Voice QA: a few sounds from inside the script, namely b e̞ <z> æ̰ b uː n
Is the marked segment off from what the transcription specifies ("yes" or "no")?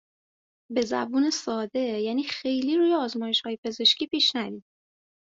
no